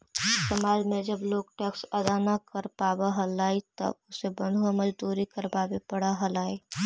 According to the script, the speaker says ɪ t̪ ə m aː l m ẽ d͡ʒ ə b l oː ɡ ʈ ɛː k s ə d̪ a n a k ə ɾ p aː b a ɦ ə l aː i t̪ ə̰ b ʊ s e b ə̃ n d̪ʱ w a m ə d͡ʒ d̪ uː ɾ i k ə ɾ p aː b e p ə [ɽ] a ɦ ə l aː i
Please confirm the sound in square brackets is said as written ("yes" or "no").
yes